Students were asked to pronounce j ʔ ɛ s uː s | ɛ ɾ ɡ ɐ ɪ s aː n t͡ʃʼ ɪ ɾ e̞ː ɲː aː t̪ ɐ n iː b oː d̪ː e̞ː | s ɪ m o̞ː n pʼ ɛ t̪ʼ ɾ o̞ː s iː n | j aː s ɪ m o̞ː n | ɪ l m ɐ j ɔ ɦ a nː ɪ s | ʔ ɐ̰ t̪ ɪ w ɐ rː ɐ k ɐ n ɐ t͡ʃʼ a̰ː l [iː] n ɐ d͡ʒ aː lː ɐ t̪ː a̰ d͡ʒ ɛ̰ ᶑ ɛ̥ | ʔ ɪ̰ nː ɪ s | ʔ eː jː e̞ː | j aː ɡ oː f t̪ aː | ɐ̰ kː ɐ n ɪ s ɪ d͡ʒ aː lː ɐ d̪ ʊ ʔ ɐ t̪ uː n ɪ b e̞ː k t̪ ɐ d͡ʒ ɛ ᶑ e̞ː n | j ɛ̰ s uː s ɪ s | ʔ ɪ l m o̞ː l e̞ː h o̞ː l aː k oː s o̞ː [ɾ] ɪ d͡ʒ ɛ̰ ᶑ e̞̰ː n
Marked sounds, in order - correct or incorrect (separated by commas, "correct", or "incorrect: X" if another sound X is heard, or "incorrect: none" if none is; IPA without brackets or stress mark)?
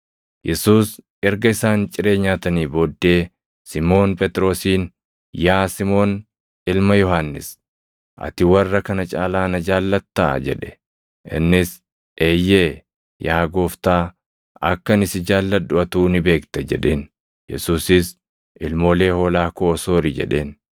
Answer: incorrect: aː, correct